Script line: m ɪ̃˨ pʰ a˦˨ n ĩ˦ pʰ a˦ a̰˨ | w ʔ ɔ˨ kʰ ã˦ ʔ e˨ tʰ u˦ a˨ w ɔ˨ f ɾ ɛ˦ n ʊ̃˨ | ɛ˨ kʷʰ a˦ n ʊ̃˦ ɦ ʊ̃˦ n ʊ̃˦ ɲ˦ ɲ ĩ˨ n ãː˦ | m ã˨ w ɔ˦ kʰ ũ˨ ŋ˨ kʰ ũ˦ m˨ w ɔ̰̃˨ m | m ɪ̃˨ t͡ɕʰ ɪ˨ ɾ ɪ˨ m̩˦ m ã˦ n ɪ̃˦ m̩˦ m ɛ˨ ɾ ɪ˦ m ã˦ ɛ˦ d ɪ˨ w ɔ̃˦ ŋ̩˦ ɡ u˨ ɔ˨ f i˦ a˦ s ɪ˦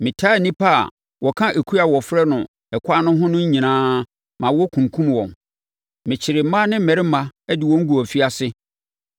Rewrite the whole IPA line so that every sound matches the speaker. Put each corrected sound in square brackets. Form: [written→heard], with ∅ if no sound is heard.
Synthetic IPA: m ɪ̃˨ [pʰ→tʰ] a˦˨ n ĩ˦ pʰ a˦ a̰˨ | w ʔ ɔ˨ kʰ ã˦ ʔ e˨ [tʰ→kʰ] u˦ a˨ w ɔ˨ f ɾ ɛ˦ n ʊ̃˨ | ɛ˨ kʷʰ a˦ n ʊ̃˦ ɦ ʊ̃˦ n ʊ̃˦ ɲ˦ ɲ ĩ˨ n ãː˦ | m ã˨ w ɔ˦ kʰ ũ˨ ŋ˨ kʰ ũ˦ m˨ w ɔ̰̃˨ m | m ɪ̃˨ t͡ɕʰ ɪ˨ ɾ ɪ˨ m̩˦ m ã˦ n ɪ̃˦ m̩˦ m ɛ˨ ɾ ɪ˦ m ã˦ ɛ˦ d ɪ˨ w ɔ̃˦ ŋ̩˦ ɡ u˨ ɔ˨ f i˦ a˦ s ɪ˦